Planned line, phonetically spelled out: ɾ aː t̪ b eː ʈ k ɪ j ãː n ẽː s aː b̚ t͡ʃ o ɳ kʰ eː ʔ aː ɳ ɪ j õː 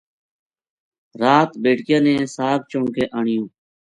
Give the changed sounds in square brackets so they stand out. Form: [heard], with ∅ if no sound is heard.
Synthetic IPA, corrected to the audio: ɾ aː t̪ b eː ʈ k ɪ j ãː n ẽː s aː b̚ t͡ʃ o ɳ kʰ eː ʔ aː ɳ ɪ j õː